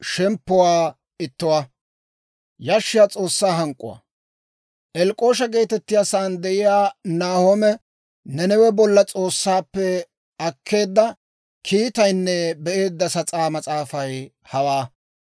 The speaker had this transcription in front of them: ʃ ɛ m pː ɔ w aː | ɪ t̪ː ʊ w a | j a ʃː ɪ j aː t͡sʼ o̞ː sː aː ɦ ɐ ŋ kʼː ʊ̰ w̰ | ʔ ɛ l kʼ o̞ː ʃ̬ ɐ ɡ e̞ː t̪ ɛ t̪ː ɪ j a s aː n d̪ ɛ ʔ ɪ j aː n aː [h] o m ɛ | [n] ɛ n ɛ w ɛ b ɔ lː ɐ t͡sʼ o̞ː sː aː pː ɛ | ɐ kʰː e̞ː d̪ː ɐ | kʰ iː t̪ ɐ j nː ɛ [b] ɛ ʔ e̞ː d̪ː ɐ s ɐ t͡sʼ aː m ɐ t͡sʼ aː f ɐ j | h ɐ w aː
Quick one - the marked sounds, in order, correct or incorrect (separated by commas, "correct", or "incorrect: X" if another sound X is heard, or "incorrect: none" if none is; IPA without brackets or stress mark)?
correct, correct, correct